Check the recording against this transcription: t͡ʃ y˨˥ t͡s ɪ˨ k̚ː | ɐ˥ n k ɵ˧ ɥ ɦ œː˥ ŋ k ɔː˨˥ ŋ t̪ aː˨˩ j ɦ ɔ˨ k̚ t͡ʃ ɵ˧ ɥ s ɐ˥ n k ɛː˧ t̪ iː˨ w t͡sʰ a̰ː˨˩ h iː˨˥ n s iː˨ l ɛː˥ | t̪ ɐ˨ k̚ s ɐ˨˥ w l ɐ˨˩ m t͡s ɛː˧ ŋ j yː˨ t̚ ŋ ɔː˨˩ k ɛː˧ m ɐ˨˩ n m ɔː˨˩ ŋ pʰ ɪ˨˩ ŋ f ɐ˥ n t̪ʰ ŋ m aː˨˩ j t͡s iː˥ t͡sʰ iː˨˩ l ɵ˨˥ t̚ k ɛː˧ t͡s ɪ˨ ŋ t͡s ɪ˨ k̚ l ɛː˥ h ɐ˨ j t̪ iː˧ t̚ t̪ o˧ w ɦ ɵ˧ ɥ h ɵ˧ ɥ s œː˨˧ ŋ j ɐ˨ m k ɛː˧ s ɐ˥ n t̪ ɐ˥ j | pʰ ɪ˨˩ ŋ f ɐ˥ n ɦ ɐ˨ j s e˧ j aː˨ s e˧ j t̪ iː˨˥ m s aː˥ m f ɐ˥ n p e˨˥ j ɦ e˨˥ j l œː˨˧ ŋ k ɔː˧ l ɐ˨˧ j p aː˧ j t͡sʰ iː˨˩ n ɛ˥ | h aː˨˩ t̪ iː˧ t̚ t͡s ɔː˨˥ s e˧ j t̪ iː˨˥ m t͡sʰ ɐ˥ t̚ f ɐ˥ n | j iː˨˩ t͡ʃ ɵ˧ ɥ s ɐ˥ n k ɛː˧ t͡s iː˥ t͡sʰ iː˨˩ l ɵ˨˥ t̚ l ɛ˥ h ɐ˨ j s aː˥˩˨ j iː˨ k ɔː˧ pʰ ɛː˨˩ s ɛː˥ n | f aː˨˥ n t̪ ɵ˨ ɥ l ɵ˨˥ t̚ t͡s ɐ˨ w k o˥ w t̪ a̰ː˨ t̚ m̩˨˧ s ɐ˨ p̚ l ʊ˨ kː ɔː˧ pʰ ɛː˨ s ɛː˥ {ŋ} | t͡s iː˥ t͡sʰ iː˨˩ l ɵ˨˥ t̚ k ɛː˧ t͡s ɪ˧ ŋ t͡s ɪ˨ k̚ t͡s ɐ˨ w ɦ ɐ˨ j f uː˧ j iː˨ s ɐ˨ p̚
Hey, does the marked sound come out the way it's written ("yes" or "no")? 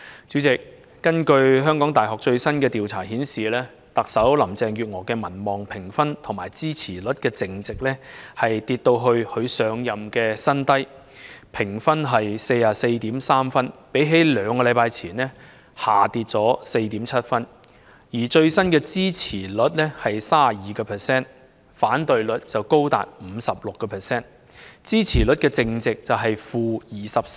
no